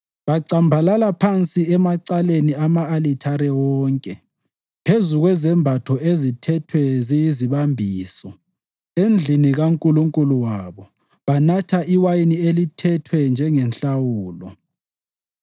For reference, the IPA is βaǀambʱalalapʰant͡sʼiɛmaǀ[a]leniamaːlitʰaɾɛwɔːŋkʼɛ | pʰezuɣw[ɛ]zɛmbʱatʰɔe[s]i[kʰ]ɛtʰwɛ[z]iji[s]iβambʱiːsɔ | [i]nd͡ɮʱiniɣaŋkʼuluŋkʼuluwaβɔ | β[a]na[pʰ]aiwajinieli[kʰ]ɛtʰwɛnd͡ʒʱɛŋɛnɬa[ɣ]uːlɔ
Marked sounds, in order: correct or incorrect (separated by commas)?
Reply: correct, correct, incorrect, incorrect, correct, incorrect, incorrect, correct, incorrect, incorrect, incorrect